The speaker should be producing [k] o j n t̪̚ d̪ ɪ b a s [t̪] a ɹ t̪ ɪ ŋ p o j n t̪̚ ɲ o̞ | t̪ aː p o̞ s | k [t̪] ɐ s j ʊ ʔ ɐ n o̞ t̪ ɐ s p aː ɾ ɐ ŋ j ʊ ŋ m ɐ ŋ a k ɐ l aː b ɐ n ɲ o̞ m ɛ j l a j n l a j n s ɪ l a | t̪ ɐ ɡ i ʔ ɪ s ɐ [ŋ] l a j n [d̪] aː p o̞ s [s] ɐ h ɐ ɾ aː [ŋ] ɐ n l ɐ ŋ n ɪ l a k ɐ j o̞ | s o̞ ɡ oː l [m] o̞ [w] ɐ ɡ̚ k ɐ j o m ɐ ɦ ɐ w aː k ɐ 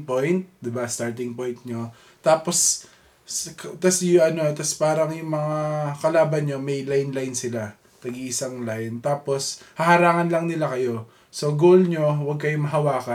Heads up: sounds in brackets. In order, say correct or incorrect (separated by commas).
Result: incorrect, correct, correct, correct, incorrect, incorrect, correct, incorrect, correct